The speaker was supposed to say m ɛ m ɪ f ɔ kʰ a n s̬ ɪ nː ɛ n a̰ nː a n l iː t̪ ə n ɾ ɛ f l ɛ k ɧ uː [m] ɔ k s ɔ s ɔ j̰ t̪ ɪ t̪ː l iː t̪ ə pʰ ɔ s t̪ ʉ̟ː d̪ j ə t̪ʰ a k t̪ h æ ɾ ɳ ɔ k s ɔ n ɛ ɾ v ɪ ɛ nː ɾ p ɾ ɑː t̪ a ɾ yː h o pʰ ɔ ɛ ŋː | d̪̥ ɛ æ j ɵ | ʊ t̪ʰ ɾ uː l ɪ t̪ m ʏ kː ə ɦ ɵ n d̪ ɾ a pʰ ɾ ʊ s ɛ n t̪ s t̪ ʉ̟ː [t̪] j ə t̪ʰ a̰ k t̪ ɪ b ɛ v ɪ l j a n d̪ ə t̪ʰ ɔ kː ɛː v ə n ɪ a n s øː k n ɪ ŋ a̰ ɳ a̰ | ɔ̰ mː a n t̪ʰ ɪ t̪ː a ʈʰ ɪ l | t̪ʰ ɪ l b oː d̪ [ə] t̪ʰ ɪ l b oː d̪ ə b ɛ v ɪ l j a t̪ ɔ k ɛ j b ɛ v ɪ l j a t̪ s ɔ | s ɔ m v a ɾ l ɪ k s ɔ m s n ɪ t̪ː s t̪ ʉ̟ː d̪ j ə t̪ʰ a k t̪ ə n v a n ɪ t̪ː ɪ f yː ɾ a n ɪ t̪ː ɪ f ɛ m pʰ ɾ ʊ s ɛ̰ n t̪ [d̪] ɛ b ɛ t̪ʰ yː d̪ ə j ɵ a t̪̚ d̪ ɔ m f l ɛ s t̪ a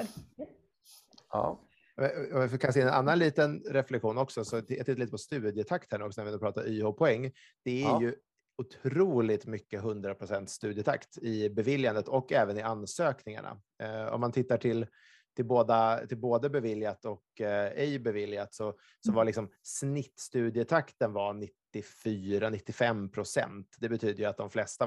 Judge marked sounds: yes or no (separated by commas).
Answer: no, no, no, yes